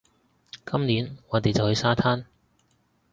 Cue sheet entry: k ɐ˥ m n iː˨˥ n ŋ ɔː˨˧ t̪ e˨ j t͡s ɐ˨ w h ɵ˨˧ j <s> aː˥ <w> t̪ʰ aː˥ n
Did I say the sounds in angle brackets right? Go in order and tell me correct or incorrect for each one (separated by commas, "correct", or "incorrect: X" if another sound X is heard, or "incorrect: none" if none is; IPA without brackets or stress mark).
correct, incorrect: none